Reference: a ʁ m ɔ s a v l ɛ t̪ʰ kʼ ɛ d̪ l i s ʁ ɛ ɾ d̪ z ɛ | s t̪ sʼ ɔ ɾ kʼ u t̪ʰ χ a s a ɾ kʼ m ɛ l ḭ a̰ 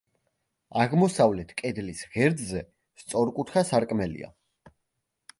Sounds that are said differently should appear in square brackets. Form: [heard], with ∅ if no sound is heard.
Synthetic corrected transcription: a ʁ m ɔ s a v l ɛ t̪ʰ kʼ ɛ d̪ l i s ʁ ɛ ɾ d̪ z ɛ | s t̪ sʼ ɔ ɾ kʼ u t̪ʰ χ a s a ɾ kʼ m ɛ l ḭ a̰